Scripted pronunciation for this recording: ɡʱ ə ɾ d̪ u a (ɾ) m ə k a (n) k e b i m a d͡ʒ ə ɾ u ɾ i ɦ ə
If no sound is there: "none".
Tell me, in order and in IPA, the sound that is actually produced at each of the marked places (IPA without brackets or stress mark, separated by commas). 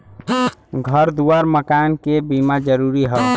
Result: ɾ, n